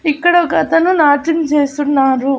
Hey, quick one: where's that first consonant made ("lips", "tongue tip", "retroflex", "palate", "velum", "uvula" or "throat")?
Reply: velum